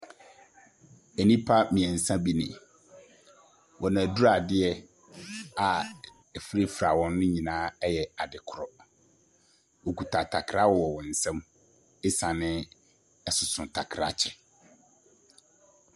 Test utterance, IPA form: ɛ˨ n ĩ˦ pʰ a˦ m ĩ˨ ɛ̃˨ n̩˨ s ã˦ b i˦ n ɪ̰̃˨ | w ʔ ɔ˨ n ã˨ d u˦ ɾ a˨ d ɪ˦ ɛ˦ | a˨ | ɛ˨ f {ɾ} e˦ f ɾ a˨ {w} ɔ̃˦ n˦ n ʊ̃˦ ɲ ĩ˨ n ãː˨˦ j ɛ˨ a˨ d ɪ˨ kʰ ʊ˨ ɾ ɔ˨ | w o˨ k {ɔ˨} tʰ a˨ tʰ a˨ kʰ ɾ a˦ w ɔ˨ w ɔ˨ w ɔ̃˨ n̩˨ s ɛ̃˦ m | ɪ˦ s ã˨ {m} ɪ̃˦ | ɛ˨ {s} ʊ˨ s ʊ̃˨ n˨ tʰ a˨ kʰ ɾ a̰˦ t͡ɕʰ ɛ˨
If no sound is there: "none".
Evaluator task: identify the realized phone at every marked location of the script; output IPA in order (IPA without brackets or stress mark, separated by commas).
ɾ, w, u˨, n, s